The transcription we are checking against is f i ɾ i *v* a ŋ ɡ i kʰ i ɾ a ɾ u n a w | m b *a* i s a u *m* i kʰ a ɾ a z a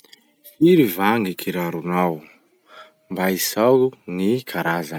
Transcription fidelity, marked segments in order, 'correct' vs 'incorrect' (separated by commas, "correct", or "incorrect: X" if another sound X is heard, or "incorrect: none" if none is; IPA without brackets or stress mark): correct, correct, incorrect: n